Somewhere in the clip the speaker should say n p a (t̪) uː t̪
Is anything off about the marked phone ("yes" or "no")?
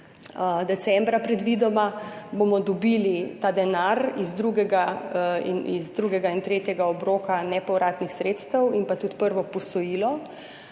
no